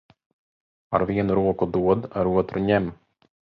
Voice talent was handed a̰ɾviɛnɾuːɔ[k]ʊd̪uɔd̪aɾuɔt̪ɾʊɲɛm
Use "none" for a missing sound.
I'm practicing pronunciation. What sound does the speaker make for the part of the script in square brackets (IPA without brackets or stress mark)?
k